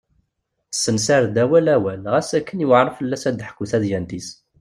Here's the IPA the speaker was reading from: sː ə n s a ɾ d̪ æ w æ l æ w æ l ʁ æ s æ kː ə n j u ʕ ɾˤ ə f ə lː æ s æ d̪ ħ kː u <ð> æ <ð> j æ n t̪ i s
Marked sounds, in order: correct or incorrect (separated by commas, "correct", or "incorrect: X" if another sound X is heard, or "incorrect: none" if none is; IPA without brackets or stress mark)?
incorrect: θ, correct